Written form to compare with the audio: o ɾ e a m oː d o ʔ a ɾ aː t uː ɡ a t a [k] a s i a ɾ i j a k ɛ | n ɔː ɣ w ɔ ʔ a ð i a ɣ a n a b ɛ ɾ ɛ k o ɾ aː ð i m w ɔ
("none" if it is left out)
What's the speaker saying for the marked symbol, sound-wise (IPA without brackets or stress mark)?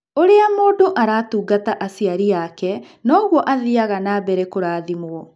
ʔ